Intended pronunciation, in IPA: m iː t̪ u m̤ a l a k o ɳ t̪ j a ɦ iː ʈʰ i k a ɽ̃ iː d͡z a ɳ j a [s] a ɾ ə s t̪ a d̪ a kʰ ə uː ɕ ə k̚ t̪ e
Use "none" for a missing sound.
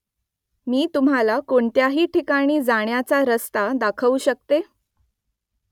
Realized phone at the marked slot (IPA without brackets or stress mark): t͡s